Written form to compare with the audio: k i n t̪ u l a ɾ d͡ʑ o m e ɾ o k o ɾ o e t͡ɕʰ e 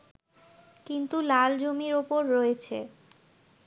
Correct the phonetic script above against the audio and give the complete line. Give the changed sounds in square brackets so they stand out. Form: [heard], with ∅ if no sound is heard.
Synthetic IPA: k i n t̪ u l a [l] d͡ʑ o m [i] ɾ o [p] o [ɾː] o e t͡ɕʰ e

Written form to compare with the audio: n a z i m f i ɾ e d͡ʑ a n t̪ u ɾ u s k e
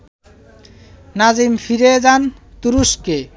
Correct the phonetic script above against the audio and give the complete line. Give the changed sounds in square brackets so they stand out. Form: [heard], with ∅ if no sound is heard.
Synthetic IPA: n a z i m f i ɾ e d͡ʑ a n t̪ u ɾ u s k e

